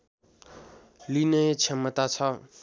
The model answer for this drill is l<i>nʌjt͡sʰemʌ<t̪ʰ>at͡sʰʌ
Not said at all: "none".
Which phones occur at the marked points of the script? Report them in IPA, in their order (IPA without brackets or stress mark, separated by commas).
i, t̪